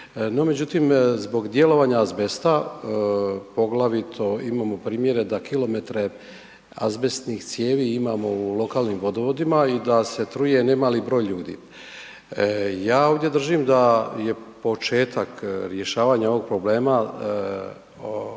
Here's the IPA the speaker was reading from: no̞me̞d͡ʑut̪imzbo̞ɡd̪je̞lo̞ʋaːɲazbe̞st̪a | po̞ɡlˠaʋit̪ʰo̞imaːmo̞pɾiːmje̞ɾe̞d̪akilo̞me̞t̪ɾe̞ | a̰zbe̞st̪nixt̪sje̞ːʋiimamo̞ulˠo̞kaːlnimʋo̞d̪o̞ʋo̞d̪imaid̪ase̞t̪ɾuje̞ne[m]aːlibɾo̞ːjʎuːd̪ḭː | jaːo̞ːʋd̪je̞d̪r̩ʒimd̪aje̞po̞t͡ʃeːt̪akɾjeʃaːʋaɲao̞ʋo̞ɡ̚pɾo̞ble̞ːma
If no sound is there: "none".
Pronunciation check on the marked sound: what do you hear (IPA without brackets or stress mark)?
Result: m